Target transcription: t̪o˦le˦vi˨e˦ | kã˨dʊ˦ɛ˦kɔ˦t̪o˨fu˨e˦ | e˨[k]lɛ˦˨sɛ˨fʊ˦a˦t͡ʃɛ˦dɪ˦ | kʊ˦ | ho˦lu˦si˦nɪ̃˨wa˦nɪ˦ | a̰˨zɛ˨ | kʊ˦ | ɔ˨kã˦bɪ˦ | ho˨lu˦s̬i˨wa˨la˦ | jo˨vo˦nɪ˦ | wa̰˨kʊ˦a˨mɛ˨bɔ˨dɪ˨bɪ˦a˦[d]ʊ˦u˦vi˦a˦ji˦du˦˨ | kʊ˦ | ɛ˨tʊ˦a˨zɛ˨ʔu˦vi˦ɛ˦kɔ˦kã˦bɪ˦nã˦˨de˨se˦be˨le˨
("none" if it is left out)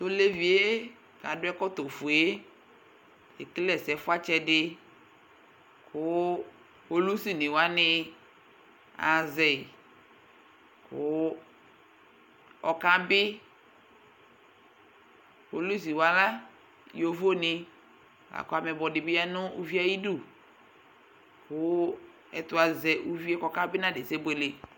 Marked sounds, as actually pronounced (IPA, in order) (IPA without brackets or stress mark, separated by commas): k, n